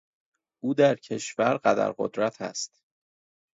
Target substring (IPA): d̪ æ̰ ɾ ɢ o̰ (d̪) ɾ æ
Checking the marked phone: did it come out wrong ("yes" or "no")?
no